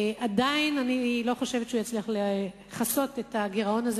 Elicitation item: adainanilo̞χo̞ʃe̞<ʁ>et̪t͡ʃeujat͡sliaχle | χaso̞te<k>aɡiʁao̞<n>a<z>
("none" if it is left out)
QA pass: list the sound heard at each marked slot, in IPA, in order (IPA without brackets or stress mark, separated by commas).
v, t, n, z